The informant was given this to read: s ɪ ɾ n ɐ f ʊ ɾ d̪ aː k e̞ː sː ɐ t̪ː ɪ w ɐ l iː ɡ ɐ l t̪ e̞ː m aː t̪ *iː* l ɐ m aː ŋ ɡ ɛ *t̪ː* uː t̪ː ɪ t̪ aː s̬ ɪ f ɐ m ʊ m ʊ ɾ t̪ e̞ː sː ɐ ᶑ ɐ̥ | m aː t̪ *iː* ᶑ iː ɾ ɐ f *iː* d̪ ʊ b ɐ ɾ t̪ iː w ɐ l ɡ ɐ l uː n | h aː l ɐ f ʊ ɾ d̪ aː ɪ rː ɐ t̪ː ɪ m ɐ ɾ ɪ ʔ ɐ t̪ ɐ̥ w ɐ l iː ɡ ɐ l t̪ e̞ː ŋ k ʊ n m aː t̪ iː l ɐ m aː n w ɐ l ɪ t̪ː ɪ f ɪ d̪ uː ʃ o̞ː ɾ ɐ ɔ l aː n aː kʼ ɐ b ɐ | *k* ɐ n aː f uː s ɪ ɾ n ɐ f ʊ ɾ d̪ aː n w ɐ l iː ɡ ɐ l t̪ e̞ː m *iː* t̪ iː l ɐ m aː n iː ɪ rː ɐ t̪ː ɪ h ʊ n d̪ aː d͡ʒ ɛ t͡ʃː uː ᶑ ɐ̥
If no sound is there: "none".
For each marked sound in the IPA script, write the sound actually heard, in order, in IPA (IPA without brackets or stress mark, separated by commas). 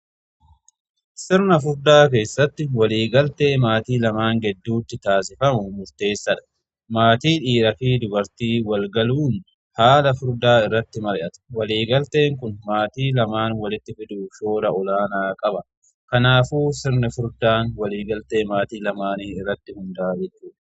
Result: iː, d̪ː, iː, iː, k, aː